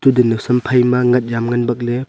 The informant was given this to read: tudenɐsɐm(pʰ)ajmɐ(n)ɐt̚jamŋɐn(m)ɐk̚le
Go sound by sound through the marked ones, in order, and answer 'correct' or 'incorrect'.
correct, incorrect, incorrect

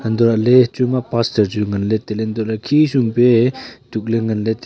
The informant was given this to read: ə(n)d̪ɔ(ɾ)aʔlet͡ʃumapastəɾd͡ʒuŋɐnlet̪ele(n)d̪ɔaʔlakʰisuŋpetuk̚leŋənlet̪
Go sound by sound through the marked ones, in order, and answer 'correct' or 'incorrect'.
correct, correct, correct

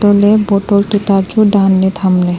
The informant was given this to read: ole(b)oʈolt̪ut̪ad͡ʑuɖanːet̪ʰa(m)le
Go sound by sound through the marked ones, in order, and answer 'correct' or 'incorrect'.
correct, correct

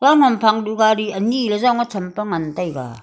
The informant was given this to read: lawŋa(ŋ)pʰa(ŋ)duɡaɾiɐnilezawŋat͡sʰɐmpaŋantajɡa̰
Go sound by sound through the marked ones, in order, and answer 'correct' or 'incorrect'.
incorrect, correct

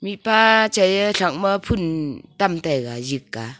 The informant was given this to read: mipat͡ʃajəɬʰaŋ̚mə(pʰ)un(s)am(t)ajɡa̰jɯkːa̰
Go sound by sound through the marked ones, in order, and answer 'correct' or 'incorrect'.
correct, incorrect, correct

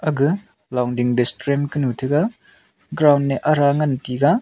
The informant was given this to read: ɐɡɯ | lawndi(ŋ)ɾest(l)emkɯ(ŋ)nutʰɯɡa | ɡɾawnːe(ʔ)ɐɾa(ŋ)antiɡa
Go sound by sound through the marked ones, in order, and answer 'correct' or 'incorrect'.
correct, incorrect, incorrect, correct, correct

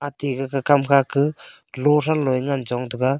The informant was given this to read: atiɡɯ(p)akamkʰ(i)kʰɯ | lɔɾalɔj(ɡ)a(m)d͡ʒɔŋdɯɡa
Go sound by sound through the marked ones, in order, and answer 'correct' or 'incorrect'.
incorrect, incorrect, incorrect, incorrect

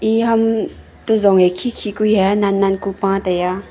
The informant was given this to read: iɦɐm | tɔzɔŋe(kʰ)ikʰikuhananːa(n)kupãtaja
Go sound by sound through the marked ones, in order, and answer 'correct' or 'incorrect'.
correct, correct

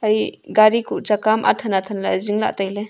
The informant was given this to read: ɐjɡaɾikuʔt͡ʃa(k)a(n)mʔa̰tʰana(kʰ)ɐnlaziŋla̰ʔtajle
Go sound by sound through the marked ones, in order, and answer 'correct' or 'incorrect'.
correct, incorrect, incorrect

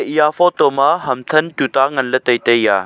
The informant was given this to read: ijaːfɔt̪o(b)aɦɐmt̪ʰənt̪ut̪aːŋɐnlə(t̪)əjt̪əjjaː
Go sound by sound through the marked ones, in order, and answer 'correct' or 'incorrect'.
incorrect, correct

